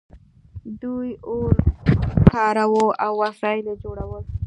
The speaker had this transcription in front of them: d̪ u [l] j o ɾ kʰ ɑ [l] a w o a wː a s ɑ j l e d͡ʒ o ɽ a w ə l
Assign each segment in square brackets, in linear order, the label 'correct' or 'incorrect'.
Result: incorrect, incorrect

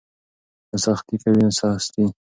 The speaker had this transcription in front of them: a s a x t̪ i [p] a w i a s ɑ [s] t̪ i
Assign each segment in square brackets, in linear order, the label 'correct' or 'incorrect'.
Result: incorrect, correct

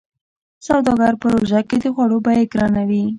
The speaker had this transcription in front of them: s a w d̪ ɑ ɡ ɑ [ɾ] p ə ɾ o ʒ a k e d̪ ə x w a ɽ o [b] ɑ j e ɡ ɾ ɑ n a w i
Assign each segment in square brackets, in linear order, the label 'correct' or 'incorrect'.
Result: correct, correct

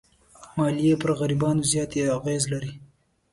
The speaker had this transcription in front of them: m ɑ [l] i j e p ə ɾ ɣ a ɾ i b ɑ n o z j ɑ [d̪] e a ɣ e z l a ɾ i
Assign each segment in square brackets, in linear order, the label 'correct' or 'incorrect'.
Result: correct, incorrect

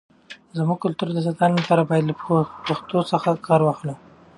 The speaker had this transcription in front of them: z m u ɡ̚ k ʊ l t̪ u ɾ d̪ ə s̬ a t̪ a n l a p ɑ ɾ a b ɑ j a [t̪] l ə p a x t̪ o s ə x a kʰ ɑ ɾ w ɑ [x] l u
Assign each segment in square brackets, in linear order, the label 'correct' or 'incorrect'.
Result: incorrect, correct

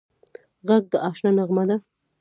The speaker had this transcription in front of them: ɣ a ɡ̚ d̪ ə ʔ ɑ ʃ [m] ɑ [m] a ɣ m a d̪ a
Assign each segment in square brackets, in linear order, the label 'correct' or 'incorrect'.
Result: incorrect, incorrect

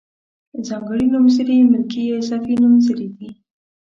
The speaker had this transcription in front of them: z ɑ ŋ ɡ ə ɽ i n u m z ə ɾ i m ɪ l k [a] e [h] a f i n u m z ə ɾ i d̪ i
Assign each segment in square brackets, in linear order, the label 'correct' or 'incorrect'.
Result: incorrect, incorrect

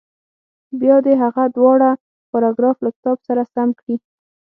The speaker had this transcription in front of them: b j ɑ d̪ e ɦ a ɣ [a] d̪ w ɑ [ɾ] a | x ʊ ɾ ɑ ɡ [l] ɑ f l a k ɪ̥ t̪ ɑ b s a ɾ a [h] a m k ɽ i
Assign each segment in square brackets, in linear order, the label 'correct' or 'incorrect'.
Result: correct, incorrect, incorrect, incorrect

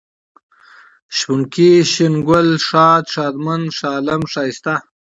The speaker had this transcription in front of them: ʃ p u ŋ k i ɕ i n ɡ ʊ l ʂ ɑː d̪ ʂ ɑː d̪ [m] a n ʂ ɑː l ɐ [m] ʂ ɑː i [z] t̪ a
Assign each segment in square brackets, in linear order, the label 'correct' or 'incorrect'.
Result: correct, correct, incorrect

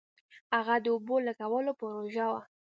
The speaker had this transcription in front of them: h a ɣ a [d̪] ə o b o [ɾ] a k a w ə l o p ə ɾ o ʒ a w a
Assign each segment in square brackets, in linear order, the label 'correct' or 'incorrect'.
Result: correct, incorrect

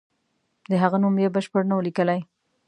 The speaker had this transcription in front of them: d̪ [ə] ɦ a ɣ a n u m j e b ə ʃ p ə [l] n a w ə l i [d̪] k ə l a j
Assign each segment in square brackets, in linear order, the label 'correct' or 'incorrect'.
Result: correct, incorrect, incorrect

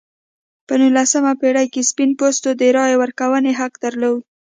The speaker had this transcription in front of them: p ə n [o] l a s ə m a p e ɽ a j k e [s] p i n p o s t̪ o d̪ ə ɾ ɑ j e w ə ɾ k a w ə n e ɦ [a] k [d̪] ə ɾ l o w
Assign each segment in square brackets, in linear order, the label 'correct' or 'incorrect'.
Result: incorrect, correct, correct, correct

